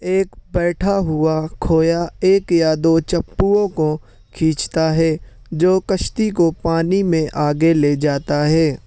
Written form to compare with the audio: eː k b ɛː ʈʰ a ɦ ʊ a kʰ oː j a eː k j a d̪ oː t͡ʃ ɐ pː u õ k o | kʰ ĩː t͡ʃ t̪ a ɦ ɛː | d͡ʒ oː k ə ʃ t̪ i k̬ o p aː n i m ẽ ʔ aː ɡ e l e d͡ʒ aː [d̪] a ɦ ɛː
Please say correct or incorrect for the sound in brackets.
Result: incorrect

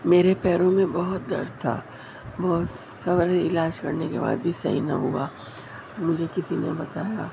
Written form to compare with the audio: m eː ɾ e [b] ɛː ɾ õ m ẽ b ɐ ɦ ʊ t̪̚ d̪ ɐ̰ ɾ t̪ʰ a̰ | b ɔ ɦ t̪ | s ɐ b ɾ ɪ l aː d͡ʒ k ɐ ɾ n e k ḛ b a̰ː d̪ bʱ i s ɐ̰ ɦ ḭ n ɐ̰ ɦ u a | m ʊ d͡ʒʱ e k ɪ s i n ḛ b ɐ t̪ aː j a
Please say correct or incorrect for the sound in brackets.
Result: incorrect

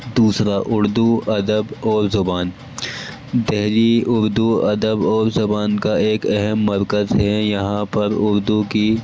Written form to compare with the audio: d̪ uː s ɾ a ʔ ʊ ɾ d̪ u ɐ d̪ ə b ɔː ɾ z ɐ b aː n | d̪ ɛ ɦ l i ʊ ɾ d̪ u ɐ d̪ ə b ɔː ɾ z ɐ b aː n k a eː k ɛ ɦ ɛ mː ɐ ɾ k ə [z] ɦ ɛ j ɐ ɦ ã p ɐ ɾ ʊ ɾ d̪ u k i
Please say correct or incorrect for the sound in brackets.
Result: correct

